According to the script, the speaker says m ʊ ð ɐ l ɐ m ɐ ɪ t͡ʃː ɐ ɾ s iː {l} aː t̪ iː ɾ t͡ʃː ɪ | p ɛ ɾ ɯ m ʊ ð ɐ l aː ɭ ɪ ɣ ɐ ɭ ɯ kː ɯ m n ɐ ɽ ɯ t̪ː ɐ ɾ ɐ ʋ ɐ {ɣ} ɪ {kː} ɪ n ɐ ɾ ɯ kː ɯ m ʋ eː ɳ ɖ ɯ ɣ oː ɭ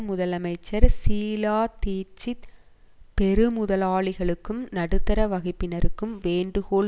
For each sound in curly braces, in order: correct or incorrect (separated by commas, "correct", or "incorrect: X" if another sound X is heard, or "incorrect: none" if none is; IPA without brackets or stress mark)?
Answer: correct, correct, incorrect: pː